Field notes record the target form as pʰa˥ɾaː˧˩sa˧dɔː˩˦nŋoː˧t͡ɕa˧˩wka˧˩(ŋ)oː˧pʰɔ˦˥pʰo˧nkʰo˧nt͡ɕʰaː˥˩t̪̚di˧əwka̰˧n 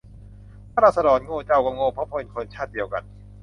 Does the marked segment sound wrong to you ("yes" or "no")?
no